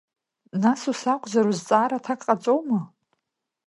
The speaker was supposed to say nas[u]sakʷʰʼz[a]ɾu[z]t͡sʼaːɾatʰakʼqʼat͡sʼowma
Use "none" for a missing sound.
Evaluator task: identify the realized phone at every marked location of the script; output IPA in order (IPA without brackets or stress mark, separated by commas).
u, a, z